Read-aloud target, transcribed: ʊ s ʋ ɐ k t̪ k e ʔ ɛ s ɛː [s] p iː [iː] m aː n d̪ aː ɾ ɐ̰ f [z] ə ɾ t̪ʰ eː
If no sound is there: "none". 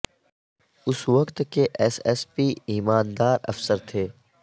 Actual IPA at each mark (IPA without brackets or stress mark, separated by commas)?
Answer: s, iː, s